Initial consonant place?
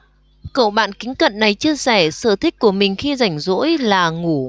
velar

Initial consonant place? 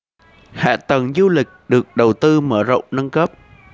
glottal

